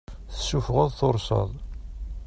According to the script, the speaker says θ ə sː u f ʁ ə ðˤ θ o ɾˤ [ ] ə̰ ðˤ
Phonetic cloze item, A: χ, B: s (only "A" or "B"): B